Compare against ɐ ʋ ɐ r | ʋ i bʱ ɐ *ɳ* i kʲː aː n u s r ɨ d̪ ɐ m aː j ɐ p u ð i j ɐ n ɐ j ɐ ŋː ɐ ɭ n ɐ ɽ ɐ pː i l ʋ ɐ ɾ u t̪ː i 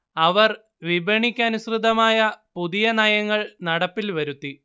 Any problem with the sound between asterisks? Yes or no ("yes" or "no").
no